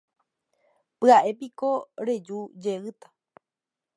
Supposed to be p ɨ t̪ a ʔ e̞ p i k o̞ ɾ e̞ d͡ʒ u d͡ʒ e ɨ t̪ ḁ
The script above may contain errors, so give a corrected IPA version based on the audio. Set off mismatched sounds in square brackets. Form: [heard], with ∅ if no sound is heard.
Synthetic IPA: p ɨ [∅] a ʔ e̞ p i k o̞ ɾ e̞ d͡ʒ u d͡ʒ e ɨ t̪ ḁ